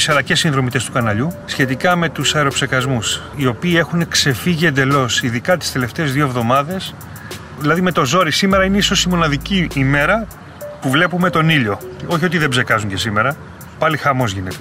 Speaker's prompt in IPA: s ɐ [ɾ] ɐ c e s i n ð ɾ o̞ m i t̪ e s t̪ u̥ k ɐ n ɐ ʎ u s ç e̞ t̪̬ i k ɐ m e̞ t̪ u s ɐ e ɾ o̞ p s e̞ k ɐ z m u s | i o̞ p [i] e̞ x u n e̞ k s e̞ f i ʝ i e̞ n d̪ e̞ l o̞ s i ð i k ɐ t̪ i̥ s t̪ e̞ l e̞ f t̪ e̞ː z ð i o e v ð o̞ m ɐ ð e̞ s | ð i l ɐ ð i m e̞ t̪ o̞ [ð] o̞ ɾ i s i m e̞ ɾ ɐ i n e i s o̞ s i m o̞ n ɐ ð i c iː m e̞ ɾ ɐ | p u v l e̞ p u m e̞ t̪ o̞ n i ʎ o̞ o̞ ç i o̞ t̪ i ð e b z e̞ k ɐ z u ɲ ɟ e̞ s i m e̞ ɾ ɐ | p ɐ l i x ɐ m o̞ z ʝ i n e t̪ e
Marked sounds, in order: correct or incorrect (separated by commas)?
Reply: incorrect, incorrect, incorrect